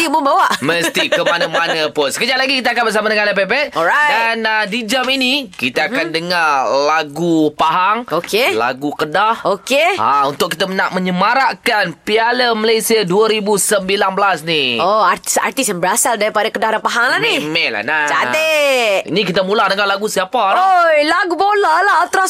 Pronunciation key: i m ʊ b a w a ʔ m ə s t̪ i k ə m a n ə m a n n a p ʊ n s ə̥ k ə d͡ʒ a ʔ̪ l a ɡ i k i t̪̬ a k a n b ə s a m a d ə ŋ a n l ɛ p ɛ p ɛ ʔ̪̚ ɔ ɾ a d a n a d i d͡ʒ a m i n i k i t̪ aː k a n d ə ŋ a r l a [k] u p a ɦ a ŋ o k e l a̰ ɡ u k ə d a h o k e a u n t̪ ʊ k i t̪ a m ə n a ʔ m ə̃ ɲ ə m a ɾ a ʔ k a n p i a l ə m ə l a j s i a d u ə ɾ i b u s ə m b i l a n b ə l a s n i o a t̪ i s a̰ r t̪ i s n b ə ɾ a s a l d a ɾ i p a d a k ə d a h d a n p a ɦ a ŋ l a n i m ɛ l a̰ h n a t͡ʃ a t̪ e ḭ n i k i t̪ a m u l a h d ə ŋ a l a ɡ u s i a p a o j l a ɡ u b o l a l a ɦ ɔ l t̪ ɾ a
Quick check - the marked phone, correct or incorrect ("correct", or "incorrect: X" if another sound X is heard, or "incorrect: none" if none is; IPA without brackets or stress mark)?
incorrect: ɡ